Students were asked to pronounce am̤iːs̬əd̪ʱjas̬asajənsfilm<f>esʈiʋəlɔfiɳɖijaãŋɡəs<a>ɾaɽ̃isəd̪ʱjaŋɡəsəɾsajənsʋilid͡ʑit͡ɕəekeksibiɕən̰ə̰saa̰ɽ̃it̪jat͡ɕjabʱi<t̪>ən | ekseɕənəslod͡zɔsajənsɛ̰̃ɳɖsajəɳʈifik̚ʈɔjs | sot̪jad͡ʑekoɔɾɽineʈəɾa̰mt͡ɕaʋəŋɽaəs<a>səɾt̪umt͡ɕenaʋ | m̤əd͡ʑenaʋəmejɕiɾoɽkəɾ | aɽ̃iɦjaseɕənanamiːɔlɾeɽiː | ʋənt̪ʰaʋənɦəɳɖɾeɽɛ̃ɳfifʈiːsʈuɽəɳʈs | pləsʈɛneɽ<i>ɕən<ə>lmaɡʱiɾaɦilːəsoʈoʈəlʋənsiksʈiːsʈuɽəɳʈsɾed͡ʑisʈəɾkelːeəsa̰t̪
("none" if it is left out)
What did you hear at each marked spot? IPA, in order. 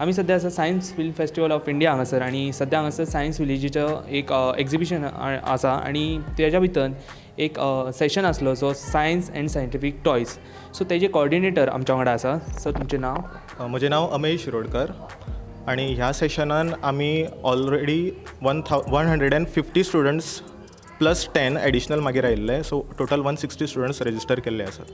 f, ə, t̪, a, i, ə

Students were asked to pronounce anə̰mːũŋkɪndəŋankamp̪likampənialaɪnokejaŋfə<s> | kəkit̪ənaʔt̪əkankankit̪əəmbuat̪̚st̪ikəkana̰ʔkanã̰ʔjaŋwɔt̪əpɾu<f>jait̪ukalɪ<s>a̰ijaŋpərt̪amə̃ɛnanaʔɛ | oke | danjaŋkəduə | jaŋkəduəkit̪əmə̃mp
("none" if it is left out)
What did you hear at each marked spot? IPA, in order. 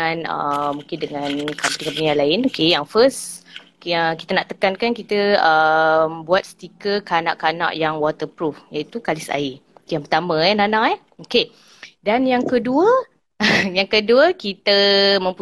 s, f, s

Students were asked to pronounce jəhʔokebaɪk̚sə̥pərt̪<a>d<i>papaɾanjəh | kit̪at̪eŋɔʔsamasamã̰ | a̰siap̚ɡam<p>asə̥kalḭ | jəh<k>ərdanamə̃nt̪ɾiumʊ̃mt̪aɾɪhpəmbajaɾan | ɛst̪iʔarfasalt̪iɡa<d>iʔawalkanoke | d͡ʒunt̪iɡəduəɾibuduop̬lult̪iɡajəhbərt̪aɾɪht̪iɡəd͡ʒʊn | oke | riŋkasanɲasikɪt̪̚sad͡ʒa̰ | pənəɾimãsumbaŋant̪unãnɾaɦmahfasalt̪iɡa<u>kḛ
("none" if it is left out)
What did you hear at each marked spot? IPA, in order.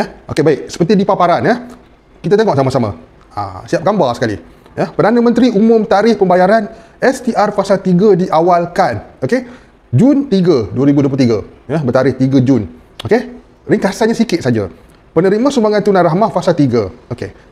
i, i, b, p, d, o

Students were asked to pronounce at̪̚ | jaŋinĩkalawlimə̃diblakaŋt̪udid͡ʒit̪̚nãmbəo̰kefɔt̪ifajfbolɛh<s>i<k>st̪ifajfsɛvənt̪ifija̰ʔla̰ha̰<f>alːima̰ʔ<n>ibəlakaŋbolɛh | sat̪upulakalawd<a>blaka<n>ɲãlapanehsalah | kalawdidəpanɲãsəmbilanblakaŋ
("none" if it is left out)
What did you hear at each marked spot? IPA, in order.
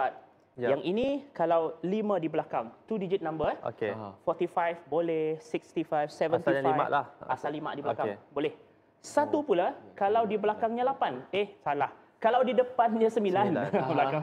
s, k, s, d, i, ŋ

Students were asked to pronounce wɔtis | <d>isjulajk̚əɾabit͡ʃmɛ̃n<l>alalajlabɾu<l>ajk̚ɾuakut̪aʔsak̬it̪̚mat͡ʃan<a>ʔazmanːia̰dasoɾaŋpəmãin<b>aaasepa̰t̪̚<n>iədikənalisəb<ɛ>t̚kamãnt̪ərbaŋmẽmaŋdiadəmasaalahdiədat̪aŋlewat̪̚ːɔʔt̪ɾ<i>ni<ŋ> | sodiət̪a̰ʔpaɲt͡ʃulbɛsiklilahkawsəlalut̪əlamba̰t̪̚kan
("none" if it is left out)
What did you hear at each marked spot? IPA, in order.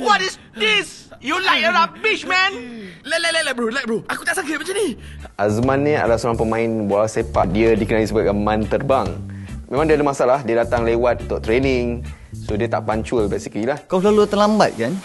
d, l, l, i, b, d, a, e, ŋ

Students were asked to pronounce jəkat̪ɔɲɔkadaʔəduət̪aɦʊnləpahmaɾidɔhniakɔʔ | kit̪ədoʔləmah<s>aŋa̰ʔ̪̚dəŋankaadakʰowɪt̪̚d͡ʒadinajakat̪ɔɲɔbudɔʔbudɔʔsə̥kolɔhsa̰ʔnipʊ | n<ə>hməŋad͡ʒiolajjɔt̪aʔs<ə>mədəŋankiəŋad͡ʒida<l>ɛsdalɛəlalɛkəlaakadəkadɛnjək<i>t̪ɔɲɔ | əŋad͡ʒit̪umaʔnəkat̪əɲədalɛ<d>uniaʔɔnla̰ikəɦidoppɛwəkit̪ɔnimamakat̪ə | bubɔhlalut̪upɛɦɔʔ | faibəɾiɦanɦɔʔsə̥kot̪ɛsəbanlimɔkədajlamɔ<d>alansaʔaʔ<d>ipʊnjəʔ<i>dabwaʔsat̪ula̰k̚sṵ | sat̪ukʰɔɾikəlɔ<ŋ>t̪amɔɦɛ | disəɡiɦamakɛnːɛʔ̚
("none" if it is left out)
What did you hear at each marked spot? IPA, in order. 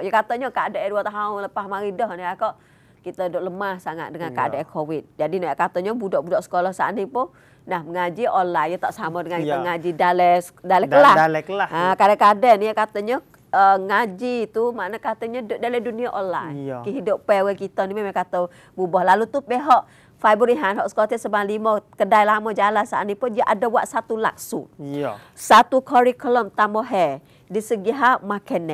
s, a, a, l, a, d, d͡ʒ, n, a, m

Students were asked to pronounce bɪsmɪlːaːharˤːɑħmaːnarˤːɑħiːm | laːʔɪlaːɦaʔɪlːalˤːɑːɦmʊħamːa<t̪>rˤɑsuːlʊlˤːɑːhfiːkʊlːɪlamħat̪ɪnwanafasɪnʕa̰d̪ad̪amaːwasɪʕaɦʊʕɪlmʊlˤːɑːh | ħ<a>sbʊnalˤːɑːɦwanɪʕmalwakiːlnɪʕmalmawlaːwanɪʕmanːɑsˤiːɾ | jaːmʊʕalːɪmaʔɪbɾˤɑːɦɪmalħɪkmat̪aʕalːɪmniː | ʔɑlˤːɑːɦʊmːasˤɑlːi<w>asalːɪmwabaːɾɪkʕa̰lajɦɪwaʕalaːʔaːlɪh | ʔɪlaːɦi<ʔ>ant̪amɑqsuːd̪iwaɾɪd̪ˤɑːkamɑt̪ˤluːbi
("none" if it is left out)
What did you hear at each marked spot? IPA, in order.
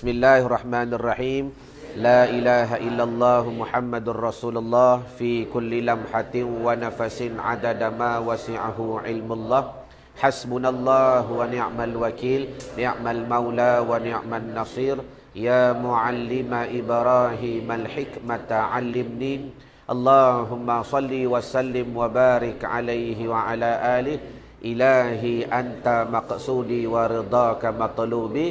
d̪, a, w, ʔ

